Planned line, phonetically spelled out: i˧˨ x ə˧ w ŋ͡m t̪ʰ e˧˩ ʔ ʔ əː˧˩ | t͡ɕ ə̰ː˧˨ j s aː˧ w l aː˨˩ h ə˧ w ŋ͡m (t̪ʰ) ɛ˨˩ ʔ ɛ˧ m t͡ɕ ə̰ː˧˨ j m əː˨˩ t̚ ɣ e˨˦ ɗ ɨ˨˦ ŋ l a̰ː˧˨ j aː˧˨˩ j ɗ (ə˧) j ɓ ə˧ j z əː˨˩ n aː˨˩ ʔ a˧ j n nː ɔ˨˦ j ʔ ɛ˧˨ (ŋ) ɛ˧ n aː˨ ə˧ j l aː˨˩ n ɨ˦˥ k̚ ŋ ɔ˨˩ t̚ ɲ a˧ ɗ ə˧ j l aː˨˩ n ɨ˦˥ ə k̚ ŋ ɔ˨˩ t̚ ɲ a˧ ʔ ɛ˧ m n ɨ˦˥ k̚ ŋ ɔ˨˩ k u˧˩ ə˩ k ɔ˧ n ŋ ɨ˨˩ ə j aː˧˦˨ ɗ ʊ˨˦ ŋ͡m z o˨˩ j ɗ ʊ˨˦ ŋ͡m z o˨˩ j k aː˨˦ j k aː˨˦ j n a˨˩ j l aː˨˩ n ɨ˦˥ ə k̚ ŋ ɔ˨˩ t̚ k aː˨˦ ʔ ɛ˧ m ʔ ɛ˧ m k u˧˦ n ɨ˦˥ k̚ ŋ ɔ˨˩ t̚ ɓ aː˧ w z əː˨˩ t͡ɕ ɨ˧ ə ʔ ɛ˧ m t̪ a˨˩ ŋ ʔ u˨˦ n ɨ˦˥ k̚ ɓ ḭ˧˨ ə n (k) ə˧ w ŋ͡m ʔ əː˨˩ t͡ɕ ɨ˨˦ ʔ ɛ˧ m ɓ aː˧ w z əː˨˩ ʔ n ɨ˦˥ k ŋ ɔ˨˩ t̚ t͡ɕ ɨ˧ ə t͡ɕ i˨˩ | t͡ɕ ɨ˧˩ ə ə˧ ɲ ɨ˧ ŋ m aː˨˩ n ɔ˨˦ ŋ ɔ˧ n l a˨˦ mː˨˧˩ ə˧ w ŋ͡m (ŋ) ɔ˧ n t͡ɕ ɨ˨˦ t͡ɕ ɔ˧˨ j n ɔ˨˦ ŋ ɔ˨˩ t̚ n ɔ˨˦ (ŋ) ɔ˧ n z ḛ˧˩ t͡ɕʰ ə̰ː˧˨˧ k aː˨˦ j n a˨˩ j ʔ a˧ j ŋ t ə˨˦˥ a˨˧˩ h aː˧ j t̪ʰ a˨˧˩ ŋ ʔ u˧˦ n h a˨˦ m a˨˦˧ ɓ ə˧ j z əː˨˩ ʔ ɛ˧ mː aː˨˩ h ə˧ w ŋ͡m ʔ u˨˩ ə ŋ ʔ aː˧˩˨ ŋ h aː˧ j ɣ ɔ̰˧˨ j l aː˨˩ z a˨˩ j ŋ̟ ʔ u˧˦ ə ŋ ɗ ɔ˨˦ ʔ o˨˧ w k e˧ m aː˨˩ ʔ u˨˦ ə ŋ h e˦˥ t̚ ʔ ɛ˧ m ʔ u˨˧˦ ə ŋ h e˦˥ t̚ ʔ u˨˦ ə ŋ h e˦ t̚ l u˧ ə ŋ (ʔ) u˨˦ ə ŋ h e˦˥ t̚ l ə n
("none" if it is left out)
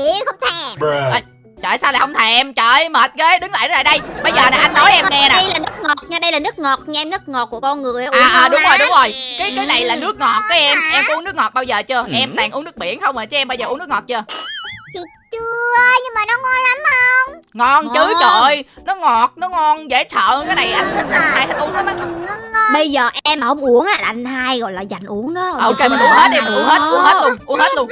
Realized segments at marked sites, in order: t̪ʰ, ə˧, ŋ, x, ŋ, ŋ, ʔ

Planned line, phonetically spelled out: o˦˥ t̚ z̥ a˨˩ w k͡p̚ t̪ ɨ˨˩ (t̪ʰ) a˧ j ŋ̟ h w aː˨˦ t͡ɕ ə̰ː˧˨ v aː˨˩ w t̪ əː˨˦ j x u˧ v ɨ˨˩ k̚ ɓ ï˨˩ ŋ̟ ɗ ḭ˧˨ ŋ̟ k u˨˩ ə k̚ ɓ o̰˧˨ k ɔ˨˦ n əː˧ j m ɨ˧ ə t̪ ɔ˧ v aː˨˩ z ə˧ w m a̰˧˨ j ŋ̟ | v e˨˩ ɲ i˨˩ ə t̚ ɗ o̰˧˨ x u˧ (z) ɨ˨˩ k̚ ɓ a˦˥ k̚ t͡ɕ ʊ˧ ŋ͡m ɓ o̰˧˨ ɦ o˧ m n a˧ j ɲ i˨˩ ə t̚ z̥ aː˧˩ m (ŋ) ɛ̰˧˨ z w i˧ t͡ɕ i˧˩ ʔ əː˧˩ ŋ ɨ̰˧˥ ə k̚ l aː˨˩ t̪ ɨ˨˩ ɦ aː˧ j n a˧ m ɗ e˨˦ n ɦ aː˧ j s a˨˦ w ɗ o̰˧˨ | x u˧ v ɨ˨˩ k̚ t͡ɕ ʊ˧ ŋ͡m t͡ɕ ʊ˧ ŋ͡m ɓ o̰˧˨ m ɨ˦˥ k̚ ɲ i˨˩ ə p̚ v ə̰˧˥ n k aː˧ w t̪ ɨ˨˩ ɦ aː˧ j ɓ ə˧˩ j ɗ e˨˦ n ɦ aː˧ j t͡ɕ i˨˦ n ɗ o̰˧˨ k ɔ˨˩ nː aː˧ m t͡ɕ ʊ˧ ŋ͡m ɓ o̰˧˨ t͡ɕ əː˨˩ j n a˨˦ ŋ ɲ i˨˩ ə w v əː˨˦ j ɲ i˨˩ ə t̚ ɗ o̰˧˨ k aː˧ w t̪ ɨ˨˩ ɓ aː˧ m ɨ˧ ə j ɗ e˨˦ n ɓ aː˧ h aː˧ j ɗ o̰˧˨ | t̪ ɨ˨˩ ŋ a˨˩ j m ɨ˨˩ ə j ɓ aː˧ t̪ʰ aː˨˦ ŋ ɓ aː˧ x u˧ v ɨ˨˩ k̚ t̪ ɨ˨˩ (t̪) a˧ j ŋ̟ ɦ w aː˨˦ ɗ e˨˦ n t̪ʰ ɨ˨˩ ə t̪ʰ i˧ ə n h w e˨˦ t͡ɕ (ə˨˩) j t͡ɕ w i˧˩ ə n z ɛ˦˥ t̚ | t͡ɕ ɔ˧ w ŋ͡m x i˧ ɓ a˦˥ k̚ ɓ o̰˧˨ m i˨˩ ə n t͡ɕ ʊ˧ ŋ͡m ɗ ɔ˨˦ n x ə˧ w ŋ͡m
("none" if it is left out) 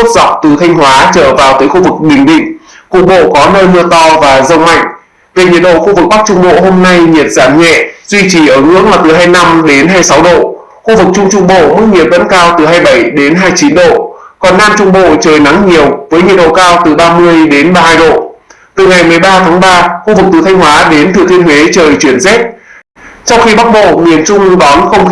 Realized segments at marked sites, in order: t̪ʰ, v, ɲ, t̪ʰ, əː˨˩

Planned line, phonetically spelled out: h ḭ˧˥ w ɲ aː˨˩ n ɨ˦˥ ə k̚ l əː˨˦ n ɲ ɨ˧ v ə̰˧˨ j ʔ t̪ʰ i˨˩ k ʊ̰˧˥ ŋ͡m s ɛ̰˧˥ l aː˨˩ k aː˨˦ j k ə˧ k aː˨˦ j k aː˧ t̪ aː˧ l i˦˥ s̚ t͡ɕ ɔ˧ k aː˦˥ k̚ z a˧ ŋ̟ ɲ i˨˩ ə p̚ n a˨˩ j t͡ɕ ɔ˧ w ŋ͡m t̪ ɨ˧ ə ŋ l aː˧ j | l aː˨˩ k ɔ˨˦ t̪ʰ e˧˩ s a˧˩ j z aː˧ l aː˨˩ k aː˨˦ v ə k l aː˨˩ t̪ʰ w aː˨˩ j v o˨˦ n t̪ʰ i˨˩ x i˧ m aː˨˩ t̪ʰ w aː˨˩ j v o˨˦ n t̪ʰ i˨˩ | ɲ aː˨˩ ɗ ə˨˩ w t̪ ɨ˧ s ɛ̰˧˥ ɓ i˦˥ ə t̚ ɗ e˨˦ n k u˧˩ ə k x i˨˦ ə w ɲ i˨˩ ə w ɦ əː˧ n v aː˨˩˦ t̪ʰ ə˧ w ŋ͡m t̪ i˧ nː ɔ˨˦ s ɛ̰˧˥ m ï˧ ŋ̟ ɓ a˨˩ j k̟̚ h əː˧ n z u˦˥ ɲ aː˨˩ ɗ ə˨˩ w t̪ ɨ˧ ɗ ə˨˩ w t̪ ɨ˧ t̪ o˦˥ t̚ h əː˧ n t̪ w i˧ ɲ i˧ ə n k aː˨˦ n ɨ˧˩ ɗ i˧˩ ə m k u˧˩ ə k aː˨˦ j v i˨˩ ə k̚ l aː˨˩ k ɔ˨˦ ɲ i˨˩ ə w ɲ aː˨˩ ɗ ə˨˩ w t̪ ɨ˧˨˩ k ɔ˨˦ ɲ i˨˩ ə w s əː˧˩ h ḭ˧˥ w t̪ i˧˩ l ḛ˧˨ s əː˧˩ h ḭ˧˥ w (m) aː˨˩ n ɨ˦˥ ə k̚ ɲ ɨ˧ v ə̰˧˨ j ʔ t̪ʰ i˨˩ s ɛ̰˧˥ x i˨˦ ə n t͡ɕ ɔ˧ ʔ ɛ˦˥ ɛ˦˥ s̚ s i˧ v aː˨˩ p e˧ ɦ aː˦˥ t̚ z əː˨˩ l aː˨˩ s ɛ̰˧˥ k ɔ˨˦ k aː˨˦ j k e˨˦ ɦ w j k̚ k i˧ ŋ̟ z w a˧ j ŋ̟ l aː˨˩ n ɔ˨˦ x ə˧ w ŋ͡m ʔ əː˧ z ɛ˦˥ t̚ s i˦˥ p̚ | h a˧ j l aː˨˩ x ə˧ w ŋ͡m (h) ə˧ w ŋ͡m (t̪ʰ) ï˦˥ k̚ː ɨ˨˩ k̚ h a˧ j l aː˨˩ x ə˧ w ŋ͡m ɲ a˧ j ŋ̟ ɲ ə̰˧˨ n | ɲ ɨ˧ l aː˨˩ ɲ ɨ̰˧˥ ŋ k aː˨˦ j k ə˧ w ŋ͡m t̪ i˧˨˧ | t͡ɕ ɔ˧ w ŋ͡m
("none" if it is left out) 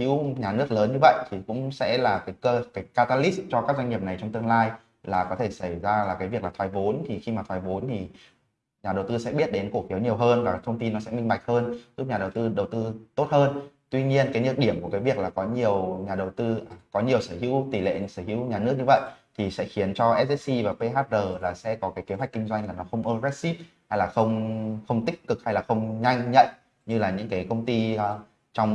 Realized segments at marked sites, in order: ɲ, x, t̪

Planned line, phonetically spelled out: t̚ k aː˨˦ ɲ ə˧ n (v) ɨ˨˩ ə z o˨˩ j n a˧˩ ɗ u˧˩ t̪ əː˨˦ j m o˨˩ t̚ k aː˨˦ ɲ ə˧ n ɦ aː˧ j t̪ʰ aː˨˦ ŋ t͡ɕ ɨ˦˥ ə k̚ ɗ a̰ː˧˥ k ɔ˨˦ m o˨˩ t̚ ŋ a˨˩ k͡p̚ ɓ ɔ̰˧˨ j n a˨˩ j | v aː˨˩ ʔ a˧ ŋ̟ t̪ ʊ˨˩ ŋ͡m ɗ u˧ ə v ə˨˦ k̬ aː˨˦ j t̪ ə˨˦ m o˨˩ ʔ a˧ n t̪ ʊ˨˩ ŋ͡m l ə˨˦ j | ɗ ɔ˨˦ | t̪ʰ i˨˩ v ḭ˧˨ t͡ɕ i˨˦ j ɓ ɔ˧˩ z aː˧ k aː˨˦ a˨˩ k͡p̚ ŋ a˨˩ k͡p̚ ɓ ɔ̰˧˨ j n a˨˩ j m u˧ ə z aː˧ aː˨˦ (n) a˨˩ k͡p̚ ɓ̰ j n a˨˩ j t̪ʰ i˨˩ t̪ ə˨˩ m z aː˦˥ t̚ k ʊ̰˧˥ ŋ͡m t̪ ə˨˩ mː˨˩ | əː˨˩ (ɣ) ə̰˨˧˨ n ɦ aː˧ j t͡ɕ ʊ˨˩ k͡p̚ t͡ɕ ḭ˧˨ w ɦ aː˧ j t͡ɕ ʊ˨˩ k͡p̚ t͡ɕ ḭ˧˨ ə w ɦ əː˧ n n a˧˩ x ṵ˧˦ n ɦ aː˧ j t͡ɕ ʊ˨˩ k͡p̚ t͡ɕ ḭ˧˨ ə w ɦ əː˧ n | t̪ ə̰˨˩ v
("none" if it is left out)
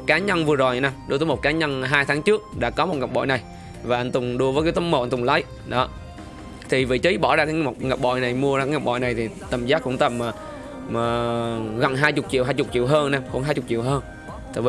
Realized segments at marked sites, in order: v, ŋ, ɣ

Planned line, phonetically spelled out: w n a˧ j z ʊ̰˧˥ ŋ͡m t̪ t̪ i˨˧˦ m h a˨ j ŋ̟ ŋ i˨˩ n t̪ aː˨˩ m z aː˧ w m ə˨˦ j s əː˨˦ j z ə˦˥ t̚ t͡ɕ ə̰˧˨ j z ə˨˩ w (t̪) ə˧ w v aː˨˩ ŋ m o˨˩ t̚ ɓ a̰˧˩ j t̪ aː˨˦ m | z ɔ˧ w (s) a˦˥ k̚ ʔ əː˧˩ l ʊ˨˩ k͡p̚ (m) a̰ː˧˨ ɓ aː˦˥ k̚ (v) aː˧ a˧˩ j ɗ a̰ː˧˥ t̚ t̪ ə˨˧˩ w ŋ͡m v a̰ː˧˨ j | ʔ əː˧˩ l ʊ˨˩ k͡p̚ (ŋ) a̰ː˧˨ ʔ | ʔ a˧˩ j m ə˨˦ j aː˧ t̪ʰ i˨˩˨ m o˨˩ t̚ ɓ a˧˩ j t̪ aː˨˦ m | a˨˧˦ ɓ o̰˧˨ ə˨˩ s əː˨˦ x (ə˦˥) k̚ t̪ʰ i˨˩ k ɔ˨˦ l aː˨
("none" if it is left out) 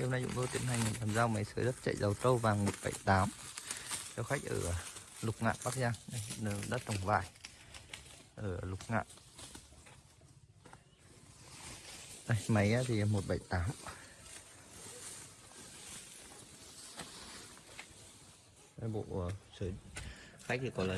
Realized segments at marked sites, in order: t̪, x, ŋ, z, ŋ, a˦˥

